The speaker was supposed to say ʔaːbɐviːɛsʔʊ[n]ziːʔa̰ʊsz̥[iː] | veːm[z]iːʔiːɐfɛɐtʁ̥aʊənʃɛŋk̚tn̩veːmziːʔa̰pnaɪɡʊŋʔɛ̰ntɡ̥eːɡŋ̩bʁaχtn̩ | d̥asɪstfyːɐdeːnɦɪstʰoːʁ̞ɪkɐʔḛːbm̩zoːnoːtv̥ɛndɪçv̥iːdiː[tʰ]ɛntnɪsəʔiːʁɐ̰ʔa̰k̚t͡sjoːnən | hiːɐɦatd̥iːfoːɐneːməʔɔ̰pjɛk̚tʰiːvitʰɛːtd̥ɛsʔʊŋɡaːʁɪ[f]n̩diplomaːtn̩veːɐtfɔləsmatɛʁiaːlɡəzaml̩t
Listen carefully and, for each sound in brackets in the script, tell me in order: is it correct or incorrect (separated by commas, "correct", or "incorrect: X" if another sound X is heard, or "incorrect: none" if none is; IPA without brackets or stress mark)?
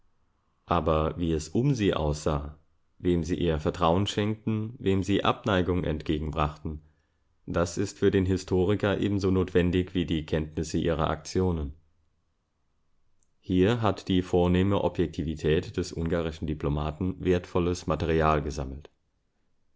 incorrect: m, incorrect: aː, correct, incorrect: kʰ, incorrect: ʃ